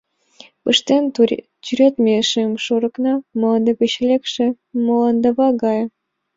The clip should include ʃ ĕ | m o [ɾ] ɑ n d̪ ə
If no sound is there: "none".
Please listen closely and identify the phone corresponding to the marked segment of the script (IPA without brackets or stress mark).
l